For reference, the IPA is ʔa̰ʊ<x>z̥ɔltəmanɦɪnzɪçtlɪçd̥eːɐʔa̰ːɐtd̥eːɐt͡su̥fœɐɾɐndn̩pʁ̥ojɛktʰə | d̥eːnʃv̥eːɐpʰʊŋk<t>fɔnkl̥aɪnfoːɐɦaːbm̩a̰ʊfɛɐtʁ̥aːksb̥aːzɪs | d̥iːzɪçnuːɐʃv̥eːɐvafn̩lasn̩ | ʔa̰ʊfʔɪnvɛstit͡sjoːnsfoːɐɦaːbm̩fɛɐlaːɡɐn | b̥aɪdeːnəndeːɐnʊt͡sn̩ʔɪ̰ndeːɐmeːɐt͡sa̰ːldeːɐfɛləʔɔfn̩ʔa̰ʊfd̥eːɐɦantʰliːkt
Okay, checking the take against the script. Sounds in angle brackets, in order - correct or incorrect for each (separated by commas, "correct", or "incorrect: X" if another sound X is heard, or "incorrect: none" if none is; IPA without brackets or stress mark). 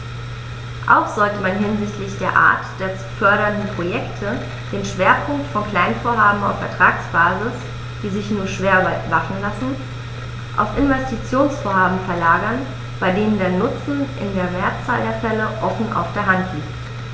correct, correct